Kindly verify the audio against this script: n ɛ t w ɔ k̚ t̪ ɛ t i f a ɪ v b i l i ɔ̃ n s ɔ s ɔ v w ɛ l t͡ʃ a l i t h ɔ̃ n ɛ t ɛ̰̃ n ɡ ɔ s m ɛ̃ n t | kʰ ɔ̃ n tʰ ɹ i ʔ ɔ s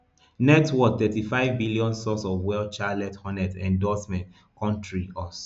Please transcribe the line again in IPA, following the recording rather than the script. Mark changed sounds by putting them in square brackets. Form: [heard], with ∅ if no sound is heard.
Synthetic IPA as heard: n ɛ t w ɔ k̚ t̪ ɛ t i f a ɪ v b i l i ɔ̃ n s ɔ s ɔ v w ɛ l t͡ʃ a l [ɛ] t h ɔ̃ n ɛ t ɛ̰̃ n [d] ɔ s m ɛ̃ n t | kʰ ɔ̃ n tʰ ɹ i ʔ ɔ s